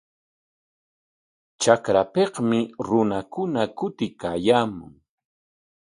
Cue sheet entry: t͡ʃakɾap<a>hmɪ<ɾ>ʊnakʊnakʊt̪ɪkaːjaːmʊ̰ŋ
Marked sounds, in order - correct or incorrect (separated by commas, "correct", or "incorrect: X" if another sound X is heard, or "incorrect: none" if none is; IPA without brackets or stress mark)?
incorrect: e, correct